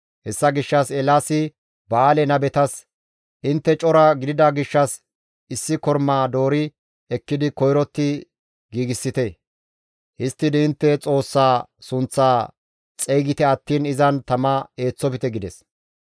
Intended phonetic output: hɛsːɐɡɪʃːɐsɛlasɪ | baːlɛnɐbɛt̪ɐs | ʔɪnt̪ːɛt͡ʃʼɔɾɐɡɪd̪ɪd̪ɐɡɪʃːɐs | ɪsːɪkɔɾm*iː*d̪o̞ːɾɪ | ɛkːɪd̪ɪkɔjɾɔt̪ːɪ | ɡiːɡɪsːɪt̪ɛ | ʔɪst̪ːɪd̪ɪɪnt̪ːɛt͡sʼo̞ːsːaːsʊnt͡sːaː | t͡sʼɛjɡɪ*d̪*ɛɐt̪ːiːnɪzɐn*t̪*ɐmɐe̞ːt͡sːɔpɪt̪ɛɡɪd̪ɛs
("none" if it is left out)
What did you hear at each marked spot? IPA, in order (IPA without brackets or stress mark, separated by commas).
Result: aː, t̪, t̪